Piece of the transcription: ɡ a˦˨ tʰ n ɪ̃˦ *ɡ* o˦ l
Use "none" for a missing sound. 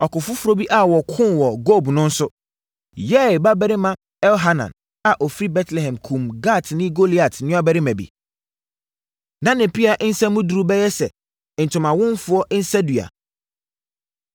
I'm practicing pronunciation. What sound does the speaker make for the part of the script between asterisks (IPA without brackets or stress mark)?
ɡ